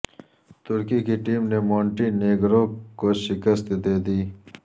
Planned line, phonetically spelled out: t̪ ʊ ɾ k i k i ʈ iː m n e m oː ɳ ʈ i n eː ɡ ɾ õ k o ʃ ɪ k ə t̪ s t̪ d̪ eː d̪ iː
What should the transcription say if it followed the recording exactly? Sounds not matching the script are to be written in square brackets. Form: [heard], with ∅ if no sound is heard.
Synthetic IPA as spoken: t̪ ʊ ɾ k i k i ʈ iː m n e m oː ɳ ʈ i n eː ɡ ɾ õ k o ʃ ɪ k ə [∅] s t̪ d̪ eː d̪ iː